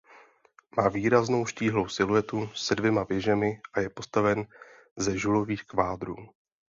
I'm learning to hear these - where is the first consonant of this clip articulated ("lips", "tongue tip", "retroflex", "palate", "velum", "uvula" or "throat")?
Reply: lips